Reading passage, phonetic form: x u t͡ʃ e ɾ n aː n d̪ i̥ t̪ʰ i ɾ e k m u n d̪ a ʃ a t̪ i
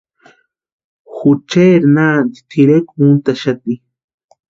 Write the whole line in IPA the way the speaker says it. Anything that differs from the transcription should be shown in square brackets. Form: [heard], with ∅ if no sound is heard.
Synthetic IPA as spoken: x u t͡ʃ e ɾ n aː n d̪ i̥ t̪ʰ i ɾ e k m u n [t̪] a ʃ a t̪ i